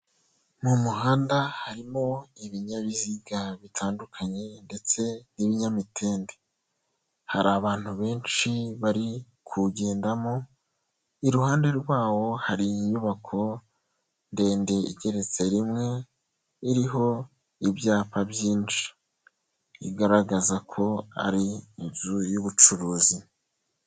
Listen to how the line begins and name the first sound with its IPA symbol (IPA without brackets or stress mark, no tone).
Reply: m